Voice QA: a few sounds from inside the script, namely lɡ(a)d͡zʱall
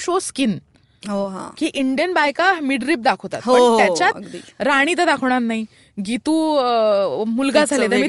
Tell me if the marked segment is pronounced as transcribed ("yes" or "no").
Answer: yes